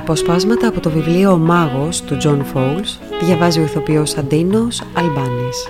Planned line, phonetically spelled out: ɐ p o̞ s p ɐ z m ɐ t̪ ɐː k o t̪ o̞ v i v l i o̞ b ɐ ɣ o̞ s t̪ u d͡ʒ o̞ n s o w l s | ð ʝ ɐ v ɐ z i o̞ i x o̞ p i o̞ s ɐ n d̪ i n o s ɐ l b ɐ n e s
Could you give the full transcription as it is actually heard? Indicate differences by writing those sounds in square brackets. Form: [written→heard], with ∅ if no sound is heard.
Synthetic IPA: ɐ p o̞ s p ɐ z m ɐ t̪ ɐː [k→p] o t̪ o̞ v i v l i o̞ [b→m] ɐ ɣ o̞ s t̪ u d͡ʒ o̞ n [s→f] o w l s | ð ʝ ɐ v ɐ z i o̞ i [x→θ] o̞ p i o̞ s ɐ n d̪ i n o s ɐ l b ɐ n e s